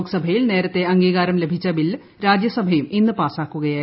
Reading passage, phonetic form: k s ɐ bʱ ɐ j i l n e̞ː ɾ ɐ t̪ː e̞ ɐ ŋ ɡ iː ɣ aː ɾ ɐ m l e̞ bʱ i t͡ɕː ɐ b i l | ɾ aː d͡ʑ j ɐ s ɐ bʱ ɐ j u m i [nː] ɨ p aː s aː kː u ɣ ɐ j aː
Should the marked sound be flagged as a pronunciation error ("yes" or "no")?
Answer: no